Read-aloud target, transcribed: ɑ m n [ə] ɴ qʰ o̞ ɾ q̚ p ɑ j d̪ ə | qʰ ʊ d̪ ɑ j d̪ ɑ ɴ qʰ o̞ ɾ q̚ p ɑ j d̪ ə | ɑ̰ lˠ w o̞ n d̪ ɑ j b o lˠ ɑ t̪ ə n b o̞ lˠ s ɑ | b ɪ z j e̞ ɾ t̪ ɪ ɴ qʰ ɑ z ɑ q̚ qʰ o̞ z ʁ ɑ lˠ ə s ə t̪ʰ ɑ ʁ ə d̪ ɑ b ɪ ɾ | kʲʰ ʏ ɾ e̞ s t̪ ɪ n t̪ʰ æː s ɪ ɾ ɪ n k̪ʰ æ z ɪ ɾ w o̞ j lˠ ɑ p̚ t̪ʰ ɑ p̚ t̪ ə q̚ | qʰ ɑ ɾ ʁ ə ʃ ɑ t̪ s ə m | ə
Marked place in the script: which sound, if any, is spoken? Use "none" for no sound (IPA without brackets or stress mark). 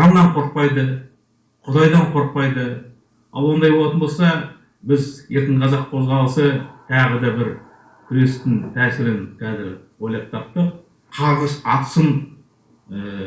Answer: ɑ